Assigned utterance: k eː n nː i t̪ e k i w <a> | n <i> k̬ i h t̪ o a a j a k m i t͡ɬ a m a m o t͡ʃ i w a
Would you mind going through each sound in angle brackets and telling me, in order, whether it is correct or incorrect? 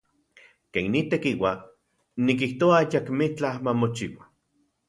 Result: correct, correct

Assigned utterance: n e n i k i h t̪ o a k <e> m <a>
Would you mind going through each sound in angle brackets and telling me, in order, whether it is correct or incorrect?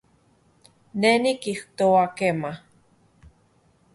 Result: correct, correct

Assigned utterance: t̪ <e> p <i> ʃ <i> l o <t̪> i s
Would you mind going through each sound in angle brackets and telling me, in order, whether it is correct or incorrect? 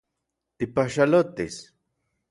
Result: incorrect, incorrect, incorrect, correct

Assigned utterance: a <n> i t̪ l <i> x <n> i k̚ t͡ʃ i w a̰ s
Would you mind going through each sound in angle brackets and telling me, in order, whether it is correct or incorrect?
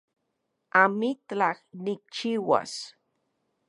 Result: incorrect, incorrect, correct

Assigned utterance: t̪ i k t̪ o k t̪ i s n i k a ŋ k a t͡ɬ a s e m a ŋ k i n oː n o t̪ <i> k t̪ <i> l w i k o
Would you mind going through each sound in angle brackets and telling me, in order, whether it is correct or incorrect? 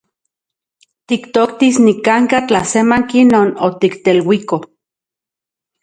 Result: correct, incorrect

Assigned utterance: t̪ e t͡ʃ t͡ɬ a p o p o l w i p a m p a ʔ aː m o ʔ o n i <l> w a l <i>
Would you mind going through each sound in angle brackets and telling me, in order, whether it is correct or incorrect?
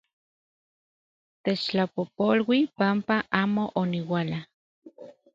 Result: incorrect, incorrect

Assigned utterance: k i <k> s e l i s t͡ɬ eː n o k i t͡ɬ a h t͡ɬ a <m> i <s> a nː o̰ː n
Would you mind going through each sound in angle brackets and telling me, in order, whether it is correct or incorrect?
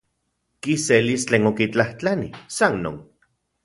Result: incorrect, incorrect, correct

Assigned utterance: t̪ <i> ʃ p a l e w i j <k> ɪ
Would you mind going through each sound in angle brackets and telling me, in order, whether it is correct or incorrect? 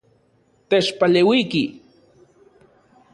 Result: incorrect, correct

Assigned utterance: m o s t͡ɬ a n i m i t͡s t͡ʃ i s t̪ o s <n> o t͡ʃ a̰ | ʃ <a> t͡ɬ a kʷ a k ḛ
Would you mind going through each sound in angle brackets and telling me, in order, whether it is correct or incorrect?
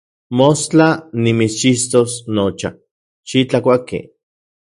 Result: correct, incorrect

